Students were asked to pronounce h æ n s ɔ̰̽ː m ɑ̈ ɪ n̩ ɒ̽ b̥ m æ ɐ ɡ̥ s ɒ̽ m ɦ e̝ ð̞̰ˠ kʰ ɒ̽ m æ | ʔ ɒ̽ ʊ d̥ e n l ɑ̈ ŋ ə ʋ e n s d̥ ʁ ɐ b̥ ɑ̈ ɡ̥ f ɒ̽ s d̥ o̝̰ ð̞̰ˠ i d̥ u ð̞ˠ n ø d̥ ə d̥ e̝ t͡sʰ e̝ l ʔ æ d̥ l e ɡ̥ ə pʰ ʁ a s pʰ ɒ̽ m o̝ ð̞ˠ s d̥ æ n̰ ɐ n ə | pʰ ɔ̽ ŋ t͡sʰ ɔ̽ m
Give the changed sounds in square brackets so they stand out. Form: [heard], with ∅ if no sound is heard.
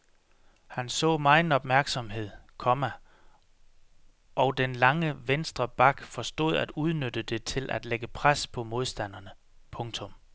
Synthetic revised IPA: h æ n s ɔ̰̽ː m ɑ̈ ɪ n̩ ɒ̽ b̥ m æ ɐ ɡ̥ s ɒ̽ m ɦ e̝ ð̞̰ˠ kʰ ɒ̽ m æ | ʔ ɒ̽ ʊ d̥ e n l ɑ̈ ŋ ə ʋ e n s d̥ ʁ ɐ b̥ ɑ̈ ɡ̥ f ɒ̽ s d̥ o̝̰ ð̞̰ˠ [æ] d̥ u ð̞ˠ n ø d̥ ə d̥ e̝ t͡sʰ e̝ l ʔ æ d̥ l e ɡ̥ ə pʰ ʁ a s pʰ ɒ̽ m o̝ ð̞ˠ s d̥ æ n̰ ɐ n ə | pʰ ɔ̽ ŋ t͡sʰ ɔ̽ m